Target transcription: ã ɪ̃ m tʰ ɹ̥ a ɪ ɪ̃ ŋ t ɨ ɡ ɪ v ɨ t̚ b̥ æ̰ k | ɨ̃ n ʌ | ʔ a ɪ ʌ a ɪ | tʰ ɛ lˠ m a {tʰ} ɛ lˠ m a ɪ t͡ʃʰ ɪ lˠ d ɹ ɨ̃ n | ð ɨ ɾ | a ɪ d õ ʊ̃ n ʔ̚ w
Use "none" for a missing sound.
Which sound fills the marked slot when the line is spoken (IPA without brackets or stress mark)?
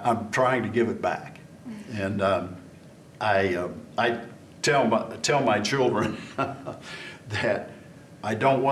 tʰ